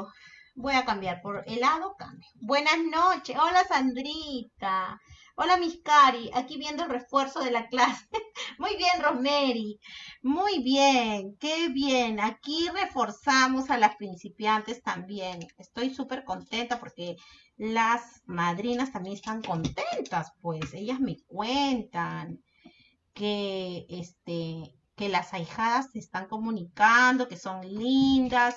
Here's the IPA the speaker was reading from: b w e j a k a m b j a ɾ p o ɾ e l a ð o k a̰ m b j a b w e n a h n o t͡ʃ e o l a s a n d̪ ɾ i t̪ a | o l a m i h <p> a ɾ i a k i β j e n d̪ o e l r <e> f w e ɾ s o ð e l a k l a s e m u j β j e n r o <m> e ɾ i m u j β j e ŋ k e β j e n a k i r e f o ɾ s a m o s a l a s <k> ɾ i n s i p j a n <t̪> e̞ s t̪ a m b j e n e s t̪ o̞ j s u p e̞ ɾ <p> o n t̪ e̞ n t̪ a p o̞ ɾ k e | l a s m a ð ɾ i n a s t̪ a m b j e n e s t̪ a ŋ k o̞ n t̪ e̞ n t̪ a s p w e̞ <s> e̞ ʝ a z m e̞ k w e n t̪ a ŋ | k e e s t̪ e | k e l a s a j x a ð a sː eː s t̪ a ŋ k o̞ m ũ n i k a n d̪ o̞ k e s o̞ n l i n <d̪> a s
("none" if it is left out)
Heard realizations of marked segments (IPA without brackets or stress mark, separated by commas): k, e, m, p, t̪, k, s, d̪